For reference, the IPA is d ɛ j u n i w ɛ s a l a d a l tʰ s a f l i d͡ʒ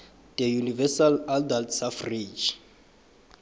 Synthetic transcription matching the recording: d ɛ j u n i v ɛ s a l a d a l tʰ s a f r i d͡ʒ